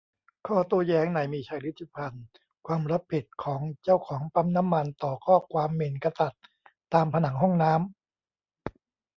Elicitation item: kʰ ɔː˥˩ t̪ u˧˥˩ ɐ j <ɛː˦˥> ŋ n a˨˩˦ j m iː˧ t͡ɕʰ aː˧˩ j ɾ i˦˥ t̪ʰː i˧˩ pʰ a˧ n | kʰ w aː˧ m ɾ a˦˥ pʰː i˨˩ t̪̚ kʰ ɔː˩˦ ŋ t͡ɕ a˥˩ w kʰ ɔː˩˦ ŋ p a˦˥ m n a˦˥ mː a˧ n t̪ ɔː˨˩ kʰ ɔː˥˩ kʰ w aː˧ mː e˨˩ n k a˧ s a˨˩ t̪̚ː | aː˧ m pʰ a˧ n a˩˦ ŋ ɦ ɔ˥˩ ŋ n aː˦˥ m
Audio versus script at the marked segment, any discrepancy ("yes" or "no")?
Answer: no